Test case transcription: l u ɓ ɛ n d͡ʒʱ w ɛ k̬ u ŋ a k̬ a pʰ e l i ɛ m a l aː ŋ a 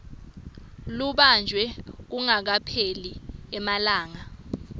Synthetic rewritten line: l u ɓ a n d͡ʒʱ w ɛ k̬ u ŋ a k̬ a pʰ e l i ɛ m a l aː ŋ a